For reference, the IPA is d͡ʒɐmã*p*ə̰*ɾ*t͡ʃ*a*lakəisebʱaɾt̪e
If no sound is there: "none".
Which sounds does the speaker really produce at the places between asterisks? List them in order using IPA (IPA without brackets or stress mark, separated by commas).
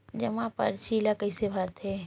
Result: p, ɾ, i